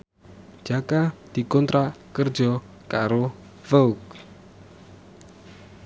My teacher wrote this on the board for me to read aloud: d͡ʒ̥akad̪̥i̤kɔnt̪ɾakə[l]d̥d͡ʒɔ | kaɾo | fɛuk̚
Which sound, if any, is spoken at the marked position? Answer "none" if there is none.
r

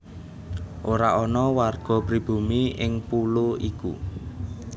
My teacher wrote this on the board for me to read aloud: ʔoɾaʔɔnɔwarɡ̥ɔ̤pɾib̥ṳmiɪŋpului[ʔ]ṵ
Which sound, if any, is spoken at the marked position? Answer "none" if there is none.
k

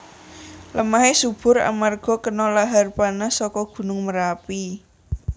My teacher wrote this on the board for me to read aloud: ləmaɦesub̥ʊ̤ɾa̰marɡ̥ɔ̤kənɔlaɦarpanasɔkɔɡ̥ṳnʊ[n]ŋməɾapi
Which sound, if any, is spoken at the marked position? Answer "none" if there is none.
none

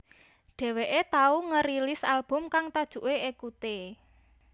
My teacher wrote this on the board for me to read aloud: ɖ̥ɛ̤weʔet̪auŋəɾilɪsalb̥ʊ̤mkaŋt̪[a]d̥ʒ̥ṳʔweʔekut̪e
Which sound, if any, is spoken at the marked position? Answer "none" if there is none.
a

